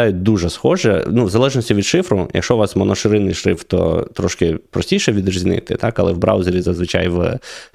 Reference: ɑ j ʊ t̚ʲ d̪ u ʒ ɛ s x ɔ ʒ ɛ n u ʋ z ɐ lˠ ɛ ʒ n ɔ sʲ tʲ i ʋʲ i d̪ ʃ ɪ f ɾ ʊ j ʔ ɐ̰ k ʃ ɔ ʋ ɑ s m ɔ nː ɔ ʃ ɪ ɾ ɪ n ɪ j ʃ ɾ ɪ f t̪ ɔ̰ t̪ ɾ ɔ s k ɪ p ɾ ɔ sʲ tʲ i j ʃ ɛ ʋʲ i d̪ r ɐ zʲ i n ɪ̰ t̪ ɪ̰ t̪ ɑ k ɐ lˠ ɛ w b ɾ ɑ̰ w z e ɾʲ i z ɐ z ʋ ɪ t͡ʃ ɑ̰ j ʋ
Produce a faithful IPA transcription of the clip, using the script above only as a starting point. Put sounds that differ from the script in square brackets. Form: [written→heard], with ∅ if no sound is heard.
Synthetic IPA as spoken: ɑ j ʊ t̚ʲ d̪ u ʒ ɛ s x ɔ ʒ ɛ n u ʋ z ɐ lˠ ɛ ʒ n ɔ sʲ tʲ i ʋʲ i d̪ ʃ ɪ f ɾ ʊ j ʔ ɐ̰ k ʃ ɔ ʋ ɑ s m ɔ [nː→n] ɔ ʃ ɪ ɾ ɪ n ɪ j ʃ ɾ ɪ f t̪ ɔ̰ t̪ ɾ ɔ [s→ʃ] k ɪ p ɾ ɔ sʲ tʲ i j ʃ ɛ ʋʲ i d̪ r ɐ zʲ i n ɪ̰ t̪ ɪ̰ t̪ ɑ k ɐ lˠ ɛ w b ɾ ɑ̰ w z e ɾʲ i z ɐ z ʋ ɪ t͡ʃ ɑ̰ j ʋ